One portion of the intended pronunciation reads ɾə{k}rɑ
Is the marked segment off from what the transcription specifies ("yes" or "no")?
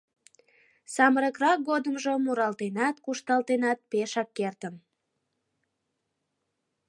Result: no